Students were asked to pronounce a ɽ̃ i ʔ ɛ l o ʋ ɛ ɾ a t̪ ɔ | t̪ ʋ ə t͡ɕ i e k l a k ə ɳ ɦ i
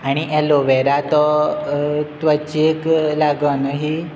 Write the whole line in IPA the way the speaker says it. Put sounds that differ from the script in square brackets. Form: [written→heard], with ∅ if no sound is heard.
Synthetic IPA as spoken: a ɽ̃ i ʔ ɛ l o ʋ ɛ ɾ a t̪ ɔ | t̪ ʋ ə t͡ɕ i e k l a [k→ɡ] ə [ɳ→n] ɦ i